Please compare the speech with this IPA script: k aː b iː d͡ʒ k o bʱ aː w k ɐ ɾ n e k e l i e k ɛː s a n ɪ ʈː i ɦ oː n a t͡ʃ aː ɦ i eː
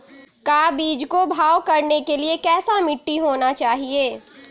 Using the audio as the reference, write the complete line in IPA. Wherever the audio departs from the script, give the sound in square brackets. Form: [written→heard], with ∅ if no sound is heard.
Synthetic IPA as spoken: k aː b iː d͡ʒ k o bʱ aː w k ɐ ɾ n e k e l i e k ɛː s a [n→m] ɪ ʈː i ɦ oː n a t͡ʃ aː ɦ i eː